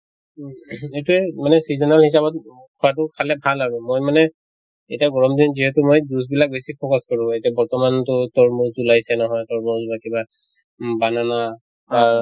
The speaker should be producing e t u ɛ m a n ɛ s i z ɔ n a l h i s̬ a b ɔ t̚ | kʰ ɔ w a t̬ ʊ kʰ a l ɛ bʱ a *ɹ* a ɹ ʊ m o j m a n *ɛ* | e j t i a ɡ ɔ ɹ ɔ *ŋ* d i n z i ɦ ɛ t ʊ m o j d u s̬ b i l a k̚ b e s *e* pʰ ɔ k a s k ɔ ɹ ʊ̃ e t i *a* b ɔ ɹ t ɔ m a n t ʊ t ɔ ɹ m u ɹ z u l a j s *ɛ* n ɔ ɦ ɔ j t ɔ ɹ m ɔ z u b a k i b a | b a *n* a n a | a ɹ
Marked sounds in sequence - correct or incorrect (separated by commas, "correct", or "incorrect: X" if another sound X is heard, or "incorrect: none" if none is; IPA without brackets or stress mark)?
incorrect: l, correct, incorrect: m, incorrect: i, correct, correct, correct